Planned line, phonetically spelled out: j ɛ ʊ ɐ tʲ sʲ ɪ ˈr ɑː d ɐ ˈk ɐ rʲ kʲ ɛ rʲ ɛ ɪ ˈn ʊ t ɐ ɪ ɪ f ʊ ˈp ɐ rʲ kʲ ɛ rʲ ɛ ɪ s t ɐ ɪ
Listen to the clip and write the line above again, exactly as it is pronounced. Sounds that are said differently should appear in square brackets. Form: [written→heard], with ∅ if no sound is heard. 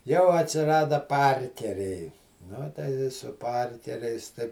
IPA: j ɛ ʊ ɐ tʲ sʲ ɪ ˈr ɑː d ɐ [ˈk→ˈp] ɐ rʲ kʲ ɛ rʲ ɛ ɪ ˈn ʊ t ɐ ɪ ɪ [f→s] ʊ ˈp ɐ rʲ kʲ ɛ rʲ ɛ ɪ s t ɐ ɪ